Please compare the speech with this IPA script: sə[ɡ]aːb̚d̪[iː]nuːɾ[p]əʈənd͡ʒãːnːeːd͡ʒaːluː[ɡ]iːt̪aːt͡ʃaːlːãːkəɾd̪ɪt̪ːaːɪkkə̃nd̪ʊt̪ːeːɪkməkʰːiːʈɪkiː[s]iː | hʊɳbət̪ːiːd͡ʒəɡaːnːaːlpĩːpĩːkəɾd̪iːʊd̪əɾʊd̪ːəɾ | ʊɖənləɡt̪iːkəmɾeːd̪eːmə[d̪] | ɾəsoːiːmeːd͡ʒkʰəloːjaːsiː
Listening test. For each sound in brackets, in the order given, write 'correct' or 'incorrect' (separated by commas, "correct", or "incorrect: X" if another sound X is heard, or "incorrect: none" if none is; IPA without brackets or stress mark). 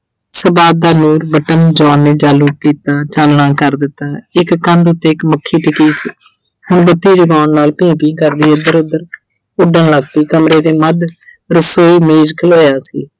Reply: incorrect: b, incorrect: aː, incorrect: b, incorrect: k, correct, correct